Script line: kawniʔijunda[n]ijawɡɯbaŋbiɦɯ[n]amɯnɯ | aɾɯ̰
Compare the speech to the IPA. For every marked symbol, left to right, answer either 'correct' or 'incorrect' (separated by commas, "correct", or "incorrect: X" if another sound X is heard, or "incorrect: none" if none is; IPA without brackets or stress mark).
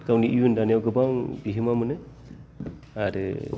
correct, incorrect: m